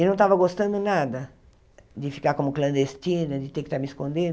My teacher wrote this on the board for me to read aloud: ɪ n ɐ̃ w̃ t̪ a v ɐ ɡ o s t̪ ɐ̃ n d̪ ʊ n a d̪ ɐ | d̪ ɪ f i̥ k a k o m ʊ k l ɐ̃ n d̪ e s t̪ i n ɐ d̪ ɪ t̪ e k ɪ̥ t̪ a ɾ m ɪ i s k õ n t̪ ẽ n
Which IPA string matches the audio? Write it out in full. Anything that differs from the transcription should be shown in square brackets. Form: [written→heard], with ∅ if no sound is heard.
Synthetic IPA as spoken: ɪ n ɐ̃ w̃ t̪ a v ɐ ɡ o s t̪ ɐ̃ n d̪ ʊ n a d̪ ɐ | d̪ ɪ f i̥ k a k o m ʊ k l ɐ̃ n d̪ e s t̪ i n ɐ d̪ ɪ t̪ e k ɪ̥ t̪ a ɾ m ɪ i s k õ n [t̪→d̪] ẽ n